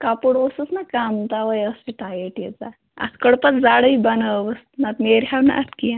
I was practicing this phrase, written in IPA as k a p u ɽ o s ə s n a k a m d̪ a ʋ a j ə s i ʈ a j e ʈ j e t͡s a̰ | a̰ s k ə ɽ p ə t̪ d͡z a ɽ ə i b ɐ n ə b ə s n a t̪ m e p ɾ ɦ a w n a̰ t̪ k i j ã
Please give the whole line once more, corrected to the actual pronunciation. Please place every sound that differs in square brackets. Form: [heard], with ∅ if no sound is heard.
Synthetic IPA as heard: k a p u ɽ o s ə s n a k a m [t̪] a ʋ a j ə s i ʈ a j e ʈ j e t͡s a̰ | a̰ s k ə ɽ p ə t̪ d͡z a ɽ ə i b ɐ n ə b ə s n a t̪ m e [∅] ɾ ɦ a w n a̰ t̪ k i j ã